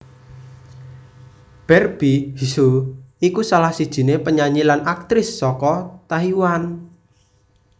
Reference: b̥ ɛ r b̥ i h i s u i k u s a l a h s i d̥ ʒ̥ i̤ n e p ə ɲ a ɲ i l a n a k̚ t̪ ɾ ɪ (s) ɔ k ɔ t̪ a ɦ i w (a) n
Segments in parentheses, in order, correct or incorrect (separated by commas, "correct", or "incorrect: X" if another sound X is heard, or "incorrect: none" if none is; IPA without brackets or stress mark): incorrect: sː, correct